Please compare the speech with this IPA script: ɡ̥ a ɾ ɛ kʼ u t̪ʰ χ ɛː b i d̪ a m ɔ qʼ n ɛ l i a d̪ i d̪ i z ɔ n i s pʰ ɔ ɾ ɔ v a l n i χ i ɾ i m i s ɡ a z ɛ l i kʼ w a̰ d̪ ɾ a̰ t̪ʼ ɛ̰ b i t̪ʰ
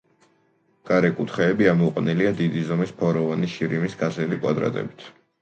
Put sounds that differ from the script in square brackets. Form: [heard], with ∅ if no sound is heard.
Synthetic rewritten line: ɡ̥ a ɾ ɛ kʼ u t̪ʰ χ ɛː b i [∅] a m ɔ qʼ n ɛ l i a d̪ i d̪ i z ɔ [m] i s pʰ ɔ ɾ ɔ v a [∅] n i [ʃ] i ɾ i m i s ɡ a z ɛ l i kʼ w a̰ d̪ ɾ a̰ t̪ʼ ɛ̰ b i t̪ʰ